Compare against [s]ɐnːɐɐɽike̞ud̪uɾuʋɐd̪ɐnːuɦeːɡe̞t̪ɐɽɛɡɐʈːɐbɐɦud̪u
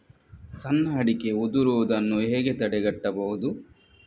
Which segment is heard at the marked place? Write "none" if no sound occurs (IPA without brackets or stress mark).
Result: s